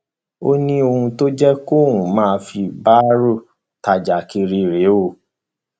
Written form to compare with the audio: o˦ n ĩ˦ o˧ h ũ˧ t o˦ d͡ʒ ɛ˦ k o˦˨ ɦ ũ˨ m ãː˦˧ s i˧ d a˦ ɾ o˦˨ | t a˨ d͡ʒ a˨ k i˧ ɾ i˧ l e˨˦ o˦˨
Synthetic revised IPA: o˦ n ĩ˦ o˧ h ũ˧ t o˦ d͡ʒ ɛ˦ k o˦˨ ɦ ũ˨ m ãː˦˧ f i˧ b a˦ ɾ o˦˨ | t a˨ d͡ʒ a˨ k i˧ ɾ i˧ ɾ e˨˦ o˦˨